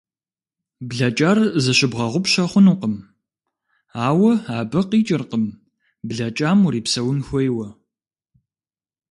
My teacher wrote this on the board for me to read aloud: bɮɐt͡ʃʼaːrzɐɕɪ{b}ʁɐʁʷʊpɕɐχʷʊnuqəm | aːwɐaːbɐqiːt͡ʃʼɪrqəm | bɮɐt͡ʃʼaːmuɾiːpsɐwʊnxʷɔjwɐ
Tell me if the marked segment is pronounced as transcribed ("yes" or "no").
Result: yes